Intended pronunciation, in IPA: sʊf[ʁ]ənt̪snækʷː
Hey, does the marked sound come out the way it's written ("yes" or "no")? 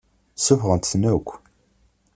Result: yes